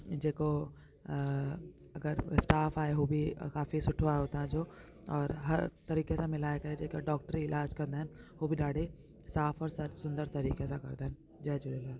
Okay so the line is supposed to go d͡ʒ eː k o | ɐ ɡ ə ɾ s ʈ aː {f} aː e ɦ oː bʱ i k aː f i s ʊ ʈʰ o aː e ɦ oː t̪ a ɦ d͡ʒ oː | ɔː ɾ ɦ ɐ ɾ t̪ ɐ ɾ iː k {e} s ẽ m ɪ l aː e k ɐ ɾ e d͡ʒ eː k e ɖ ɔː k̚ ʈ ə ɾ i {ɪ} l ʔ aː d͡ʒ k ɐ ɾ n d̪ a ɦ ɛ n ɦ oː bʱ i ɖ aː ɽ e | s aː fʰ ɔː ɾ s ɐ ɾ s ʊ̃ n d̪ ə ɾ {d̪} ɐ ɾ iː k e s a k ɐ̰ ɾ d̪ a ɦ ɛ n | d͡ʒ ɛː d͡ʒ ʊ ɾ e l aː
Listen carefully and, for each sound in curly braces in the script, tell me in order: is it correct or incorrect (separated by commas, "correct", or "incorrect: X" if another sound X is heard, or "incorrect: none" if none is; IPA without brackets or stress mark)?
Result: correct, correct, correct, incorrect: t̪